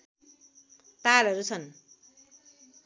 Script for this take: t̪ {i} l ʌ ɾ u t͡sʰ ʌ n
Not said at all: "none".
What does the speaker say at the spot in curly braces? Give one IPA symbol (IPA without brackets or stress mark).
a